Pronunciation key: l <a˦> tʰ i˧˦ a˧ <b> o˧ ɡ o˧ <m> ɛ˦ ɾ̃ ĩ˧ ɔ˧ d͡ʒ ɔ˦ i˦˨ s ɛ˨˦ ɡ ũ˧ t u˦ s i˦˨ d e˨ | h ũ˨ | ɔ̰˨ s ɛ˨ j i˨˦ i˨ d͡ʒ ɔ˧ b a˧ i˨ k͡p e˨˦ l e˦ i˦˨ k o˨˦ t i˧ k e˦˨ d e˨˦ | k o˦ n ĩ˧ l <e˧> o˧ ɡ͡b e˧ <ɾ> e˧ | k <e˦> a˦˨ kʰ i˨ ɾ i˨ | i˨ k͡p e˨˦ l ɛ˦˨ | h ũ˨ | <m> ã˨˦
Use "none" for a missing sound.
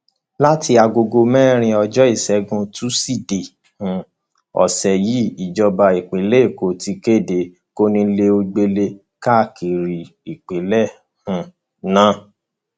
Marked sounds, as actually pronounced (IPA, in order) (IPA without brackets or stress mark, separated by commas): a˦, ɡ, m, e˧, l, a˦, n